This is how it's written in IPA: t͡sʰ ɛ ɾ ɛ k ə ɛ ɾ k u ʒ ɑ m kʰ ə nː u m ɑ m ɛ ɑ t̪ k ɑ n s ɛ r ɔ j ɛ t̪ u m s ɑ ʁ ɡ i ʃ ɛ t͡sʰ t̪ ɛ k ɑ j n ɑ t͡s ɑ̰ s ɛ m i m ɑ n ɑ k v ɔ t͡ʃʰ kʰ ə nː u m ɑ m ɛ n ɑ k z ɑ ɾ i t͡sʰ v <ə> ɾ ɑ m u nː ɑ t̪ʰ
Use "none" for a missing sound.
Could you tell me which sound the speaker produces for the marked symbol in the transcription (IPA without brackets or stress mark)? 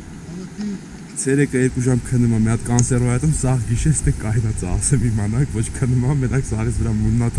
ə